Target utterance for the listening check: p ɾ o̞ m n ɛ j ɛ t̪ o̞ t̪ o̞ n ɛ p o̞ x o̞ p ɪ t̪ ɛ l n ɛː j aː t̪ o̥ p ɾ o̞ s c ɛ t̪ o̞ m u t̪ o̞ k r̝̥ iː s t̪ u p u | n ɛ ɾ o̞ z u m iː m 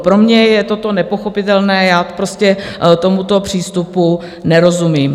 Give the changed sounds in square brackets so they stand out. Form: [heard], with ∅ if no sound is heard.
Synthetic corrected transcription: p ɾ o̞ m [ɲ] ɛ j ɛ t̪ o̞ t̪ o̞ n ɛ p o̞ x o̞ p ɪ t̪ ɛ l n ɛː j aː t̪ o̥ p ɾ o̞ s c ɛ t̪ o̞ m u t̪ o̞ [p] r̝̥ iː s t̪ u p u | n ɛ ɾ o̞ z u m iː m